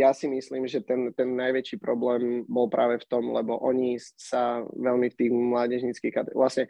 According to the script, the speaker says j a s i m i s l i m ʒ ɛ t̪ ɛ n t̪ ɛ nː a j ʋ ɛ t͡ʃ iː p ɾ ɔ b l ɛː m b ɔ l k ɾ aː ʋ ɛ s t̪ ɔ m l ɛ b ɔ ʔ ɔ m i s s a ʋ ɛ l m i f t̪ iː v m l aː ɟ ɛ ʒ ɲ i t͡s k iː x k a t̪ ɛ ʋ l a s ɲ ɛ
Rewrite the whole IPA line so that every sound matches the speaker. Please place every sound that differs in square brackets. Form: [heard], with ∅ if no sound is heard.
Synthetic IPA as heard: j a s i m i s l [iː] m ʒ ɛ t̪ ɛ n t̪ ɛ nː a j ʋ ɛ t͡ʃ iː p ɾ ɔ b l ɛː m b ɔ l [p] ɾ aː ʋ ɛ [f] t̪ ɔ m l ɛ b ɔ ʔ ɔ [ɲ] i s s a ʋ ɛ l m i f t̪ iː [ɣ] m l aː ɟ ɛ ʒ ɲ i t͡s k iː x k a t̪ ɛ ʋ l a s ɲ ɛ